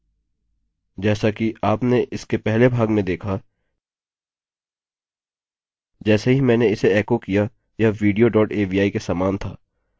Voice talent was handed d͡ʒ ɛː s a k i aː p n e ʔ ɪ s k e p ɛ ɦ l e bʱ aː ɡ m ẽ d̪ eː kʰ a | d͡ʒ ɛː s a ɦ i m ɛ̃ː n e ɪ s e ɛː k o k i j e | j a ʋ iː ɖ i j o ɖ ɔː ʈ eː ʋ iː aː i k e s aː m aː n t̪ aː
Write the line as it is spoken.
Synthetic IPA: d͡ʒ ɛː s a k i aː p n e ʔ ɪ s k e p ɛ ɦ l e bʱ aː ɡ m ẽ d̪ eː kʰ a | d͡ʒ ɛː s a ɦ i m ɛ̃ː n e ɪ s e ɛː k o k i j a | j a ʋ iː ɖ i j o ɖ ɔː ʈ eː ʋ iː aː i k e s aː m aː n t̪ʰ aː

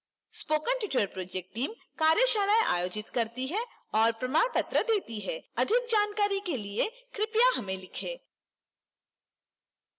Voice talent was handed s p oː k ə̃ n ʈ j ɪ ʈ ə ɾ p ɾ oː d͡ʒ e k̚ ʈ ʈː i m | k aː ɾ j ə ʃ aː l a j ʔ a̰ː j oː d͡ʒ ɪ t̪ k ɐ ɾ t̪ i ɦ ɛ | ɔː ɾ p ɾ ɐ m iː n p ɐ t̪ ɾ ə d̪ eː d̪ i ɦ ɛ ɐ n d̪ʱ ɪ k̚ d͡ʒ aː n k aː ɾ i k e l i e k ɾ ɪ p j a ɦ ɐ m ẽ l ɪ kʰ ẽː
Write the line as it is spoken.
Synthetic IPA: s p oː k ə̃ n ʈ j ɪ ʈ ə ɾ p ɾ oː d͡ʒ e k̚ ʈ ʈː iː m | k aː ɾ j ə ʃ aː l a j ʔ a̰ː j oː d͡ʒ ɪ t̪ k ɐ ɾ t̪ i ɦ ɛ | ɔː ɾ p ɾ ɐ m aː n p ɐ t̪ ɾ ə d̪ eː t̪ i ɦ ɛ ɐ d̪ʱ ɪ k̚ d͡ʒ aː n k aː ɾ i k e l i e k ɾ ɪ p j a ɦ ɐ m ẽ l ɪ kʰ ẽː

